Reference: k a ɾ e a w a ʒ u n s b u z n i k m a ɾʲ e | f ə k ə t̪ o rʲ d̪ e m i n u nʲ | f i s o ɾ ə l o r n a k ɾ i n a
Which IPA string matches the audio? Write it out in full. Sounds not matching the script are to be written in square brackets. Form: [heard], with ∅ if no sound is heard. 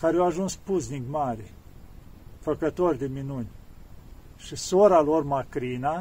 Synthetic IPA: k a ɾ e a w a ʒ u n s [p] u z n i k m a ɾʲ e | f ə k ə t̪ o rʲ d̪ e m i n u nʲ | [ʃ] i s o ɾ [a] l o r [m] a k ɾ i n a